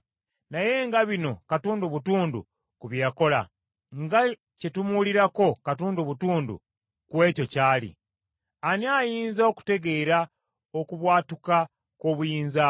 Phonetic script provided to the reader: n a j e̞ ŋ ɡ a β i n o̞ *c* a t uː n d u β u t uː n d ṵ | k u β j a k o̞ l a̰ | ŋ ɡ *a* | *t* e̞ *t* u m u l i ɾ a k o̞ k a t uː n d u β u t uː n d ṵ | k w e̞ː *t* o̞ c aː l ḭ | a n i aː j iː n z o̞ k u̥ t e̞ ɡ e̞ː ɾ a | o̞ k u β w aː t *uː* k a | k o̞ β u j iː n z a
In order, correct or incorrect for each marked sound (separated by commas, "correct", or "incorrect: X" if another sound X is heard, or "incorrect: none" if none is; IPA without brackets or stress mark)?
incorrect: k, correct, incorrect: c, correct, incorrect: c, incorrect: u